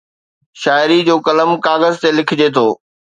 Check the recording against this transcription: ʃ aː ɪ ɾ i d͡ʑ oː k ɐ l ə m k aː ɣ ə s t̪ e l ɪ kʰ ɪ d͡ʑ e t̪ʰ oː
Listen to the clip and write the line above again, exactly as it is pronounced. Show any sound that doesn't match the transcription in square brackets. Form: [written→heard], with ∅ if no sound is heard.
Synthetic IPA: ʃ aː ɪ ɾ i d͡ʑ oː k ɐ l ə m k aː ɣ ə [s→z] t̪ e l ɪ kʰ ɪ d͡ʑ e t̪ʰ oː